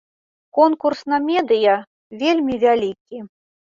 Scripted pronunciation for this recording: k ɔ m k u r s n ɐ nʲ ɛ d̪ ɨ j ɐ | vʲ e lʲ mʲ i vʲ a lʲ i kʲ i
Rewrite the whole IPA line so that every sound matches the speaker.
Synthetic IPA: k ɔ n k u r s n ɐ mʲ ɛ d̪ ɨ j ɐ | vʲ e lʲ mʲ i vʲ a lʲ i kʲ i